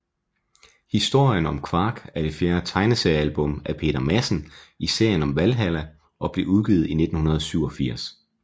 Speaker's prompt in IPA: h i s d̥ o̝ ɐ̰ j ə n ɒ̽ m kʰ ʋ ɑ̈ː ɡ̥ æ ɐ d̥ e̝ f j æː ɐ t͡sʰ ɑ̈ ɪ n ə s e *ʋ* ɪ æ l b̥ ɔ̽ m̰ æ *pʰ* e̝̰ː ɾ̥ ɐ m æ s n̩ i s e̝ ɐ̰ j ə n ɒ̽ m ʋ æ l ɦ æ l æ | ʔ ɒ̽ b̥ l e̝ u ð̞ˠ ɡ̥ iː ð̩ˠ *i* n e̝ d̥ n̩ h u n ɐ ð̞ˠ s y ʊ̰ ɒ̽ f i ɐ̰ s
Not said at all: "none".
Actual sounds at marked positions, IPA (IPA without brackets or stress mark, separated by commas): none, pʰ, i